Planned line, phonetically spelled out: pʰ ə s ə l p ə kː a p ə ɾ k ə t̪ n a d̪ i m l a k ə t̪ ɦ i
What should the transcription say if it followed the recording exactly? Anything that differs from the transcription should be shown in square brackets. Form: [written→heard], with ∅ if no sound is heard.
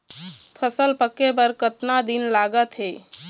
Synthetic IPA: pʰ ə s ə l p ə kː [a→e] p ə ɾ k ə t̪ n a d̪ i [m→n] l a [k→ɡ] ə t̪ ɦ [i→e]